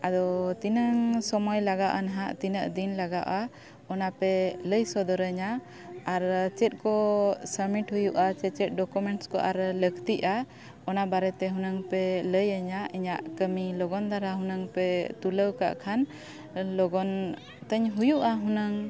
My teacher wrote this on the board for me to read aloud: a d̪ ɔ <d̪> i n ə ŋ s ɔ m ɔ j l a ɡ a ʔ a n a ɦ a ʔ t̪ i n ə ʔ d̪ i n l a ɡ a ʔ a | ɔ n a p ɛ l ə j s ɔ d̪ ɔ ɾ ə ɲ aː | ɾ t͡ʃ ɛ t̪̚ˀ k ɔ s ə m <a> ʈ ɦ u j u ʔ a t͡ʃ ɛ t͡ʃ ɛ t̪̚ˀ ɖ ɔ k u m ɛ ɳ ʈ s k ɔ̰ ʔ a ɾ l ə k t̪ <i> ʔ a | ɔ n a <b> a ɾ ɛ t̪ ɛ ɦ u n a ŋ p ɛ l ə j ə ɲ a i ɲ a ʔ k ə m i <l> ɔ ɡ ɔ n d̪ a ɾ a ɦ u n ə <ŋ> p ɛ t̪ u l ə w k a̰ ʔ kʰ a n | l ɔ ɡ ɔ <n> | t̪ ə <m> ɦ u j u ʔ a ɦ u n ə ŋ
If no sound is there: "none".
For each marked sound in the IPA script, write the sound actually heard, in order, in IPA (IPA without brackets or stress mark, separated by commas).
t̪, i, i, b, l, ŋ, n, ɲ